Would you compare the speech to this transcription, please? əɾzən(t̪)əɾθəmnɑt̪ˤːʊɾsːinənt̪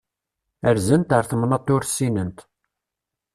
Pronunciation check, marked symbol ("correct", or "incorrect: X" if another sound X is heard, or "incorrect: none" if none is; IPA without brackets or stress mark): correct